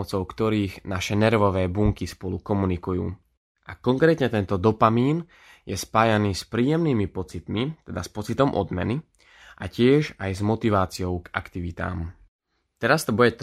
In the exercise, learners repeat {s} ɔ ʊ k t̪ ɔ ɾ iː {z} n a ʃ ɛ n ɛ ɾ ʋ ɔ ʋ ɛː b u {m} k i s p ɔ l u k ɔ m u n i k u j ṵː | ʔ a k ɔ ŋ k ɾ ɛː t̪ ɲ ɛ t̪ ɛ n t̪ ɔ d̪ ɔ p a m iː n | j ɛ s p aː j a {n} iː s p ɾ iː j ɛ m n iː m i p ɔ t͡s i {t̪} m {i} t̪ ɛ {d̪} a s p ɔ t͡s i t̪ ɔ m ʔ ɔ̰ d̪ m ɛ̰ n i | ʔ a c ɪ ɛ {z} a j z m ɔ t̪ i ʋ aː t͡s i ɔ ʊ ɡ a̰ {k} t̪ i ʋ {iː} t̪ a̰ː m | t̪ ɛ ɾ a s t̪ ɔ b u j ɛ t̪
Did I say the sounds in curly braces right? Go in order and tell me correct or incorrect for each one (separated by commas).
incorrect, incorrect, incorrect, correct, correct, correct, correct, incorrect, correct, incorrect